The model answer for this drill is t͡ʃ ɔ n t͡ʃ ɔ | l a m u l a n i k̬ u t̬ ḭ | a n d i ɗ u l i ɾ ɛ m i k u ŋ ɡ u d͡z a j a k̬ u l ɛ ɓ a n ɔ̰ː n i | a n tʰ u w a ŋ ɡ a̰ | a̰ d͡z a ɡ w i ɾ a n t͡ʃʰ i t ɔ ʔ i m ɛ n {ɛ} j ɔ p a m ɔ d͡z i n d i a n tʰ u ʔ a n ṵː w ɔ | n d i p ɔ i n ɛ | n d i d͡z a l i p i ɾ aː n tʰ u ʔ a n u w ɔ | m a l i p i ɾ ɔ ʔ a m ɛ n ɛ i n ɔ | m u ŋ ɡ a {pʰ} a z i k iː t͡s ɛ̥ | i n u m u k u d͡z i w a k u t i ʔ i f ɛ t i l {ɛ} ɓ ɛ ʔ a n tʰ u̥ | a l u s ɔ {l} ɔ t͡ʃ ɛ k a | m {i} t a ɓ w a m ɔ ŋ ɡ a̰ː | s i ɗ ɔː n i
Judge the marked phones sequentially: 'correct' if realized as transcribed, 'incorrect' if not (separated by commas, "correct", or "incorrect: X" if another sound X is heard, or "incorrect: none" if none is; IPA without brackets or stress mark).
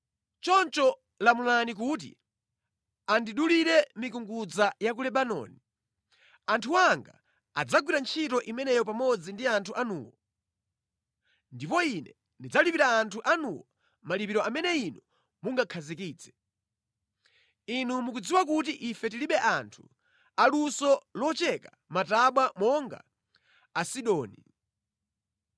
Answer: correct, incorrect: kʰ, incorrect: i, correct, incorrect: a